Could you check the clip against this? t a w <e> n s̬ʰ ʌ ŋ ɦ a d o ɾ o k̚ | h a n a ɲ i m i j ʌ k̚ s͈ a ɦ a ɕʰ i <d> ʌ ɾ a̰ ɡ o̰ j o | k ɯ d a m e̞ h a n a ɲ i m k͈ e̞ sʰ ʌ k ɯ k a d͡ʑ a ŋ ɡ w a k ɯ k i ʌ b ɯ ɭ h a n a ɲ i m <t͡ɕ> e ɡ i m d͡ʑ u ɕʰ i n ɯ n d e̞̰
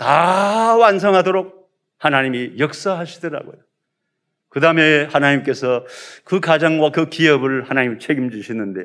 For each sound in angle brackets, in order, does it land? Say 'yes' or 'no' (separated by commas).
no, yes, no